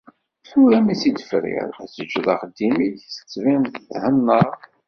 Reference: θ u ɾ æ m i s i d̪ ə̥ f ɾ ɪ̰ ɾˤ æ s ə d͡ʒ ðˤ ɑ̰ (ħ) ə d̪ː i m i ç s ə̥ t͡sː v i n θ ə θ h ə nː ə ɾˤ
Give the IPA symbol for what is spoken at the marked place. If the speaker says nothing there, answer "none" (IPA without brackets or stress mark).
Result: χ